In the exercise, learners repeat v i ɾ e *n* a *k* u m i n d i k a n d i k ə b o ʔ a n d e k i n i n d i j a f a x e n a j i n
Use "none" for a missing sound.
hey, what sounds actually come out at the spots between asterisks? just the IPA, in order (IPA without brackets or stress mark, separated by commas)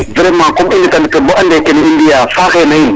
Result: m, k